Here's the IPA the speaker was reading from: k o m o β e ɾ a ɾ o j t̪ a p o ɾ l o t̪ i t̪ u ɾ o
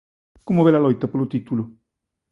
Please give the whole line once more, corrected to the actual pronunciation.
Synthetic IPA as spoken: k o m o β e l a l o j t̪ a p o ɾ l o t̪ i t̪ u l o